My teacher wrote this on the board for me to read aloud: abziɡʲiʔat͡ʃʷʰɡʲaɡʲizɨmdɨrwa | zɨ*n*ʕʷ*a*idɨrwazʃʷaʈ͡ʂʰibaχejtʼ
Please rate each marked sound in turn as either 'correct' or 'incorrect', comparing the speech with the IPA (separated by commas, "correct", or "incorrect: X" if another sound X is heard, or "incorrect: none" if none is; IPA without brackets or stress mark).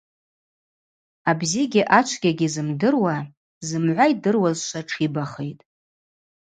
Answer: incorrect: m, correct